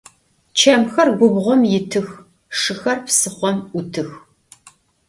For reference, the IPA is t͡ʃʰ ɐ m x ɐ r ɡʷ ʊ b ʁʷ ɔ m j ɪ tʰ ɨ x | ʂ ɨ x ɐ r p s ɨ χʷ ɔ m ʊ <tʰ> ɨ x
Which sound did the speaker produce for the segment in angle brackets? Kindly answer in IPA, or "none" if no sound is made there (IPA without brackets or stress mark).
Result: tʰ